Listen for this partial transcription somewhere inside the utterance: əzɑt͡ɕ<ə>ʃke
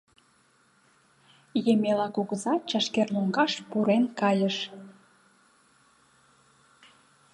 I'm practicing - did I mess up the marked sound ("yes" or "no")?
yes